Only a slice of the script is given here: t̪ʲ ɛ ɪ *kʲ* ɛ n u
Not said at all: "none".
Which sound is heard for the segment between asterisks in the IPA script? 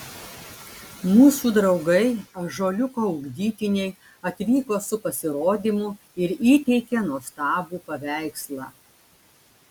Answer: kʲ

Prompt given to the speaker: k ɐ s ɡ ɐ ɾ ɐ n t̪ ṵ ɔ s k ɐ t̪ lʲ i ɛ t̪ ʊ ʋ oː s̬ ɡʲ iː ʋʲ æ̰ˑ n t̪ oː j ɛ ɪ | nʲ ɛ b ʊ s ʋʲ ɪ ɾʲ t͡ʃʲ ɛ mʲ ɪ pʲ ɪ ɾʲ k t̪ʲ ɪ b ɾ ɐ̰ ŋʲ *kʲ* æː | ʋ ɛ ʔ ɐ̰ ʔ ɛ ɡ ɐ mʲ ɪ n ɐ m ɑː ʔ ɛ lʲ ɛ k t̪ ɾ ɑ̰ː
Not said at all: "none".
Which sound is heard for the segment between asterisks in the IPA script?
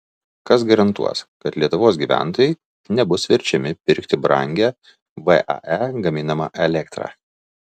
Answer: ɡʲ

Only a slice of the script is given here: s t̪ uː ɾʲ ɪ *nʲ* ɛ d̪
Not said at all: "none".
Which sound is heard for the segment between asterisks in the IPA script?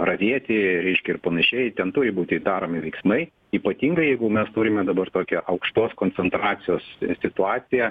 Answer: mʲ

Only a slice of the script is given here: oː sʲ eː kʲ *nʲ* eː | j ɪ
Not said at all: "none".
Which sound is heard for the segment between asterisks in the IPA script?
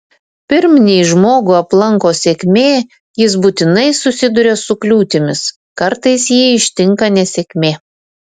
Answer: mʲ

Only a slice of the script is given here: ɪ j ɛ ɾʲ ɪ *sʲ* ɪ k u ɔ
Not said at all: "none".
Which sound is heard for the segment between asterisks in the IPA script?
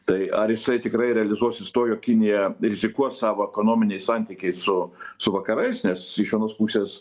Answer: zʲ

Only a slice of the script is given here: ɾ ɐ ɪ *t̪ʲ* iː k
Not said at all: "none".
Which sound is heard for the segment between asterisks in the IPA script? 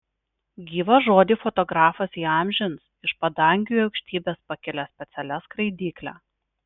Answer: d̪ʲ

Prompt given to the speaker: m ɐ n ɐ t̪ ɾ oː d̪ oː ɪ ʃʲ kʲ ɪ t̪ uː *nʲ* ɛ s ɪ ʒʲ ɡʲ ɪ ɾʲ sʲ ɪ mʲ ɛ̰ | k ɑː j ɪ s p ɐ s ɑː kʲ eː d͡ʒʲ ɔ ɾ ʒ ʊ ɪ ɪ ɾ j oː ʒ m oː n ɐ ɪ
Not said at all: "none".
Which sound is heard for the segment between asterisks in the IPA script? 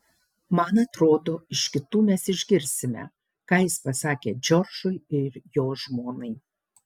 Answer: mʲ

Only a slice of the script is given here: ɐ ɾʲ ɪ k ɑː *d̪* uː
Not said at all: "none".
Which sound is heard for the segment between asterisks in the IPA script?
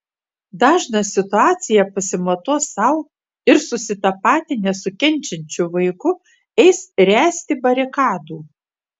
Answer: d̪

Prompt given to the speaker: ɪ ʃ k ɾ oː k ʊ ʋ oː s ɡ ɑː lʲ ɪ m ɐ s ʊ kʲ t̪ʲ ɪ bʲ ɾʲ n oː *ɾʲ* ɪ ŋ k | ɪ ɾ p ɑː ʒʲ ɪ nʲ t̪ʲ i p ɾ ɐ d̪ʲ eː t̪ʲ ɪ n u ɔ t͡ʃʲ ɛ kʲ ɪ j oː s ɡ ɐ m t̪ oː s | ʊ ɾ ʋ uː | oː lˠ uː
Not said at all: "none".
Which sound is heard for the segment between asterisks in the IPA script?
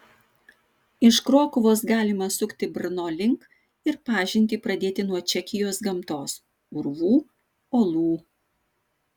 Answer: lʲ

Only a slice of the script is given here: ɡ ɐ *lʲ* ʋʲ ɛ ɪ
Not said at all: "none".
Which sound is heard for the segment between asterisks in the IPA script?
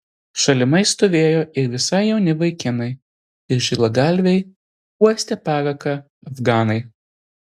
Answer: lʲ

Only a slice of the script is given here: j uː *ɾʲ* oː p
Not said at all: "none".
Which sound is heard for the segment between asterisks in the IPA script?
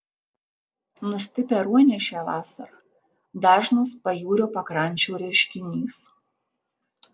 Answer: ɾʲ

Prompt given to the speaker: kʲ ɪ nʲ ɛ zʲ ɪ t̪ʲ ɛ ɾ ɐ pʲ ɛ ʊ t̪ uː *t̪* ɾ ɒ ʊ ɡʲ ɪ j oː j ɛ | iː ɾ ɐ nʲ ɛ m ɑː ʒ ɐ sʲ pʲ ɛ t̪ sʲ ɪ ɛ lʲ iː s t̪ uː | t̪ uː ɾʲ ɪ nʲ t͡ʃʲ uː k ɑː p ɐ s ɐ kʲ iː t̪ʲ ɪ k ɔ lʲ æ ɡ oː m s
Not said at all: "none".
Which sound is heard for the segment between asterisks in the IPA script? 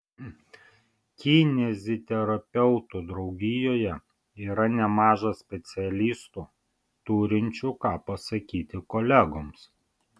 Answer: d̪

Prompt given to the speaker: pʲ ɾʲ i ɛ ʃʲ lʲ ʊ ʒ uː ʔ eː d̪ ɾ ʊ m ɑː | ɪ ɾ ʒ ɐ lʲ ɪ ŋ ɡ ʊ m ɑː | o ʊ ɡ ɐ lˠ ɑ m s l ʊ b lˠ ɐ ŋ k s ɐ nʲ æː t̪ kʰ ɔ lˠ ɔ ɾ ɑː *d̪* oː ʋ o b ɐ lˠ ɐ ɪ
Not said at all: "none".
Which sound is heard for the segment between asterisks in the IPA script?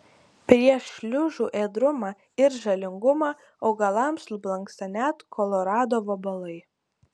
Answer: d̪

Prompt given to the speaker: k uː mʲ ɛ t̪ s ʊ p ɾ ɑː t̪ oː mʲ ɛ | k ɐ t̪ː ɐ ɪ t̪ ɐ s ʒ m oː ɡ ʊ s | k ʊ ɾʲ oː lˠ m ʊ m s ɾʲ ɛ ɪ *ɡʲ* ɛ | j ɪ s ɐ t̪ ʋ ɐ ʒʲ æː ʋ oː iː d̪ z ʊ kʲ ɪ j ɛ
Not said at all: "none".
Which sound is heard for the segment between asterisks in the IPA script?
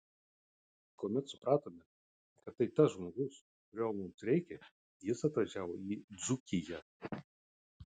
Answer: kʲ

